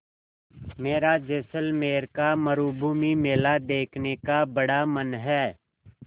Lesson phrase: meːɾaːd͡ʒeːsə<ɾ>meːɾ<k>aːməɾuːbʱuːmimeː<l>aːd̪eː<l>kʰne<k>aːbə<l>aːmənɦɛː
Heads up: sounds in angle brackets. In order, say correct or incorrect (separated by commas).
incorrect, correct, correct, incorrect, correct, incorrect